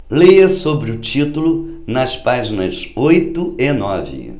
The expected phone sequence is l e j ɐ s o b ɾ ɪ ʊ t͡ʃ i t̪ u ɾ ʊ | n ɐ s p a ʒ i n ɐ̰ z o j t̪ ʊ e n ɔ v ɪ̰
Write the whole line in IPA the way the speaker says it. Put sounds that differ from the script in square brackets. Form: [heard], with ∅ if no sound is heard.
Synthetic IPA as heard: l e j ɐ s o b ɾ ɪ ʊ t͡ʃ i t̪ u [l] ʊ | n ɐ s p a ʒ i n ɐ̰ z o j t̪ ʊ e n ɔ v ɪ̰